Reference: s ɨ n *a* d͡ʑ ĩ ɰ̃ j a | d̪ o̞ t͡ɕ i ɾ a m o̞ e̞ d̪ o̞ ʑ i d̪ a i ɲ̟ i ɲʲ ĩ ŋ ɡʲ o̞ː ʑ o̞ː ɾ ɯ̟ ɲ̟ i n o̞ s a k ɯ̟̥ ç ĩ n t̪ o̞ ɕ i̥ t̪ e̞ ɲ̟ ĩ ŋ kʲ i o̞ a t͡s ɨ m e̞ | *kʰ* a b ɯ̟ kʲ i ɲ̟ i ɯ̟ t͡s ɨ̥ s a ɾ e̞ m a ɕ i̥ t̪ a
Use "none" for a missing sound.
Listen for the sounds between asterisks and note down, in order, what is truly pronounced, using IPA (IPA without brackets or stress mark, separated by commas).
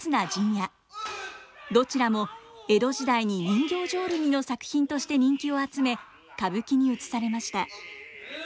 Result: a, k